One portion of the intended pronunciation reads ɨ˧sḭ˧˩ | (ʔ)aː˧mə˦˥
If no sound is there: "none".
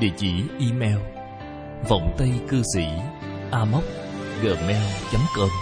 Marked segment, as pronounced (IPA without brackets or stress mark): ʔ